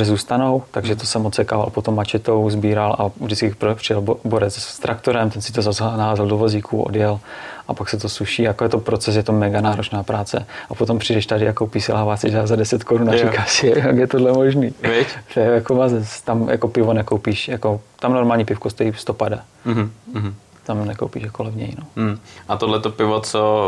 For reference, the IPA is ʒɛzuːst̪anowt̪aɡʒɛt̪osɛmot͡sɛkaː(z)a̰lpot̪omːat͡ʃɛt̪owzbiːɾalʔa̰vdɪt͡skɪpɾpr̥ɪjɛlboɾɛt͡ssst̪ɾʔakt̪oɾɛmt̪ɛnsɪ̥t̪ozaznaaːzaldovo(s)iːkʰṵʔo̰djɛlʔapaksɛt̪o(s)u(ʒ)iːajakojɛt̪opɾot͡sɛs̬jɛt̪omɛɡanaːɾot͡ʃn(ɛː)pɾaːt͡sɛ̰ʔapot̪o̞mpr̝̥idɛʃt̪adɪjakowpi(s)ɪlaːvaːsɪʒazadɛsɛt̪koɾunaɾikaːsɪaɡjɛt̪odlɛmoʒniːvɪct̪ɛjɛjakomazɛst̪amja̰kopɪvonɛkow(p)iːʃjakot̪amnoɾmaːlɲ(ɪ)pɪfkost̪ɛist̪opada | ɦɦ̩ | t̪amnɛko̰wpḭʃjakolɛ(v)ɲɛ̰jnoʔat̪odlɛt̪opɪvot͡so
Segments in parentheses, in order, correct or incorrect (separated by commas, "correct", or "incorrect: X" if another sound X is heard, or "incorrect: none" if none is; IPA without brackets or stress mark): incorrect: v, incorrect: z, correct, incorrect: ʃ, incorrect: aː, correct, correct, incorrect: i, correct